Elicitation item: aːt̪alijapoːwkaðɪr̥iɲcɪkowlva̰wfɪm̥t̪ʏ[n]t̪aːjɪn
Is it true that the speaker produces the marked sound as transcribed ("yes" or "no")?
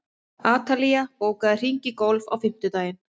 no